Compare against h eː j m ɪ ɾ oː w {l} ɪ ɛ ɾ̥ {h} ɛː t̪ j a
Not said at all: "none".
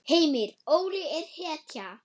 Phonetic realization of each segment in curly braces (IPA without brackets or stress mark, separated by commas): ɾ, h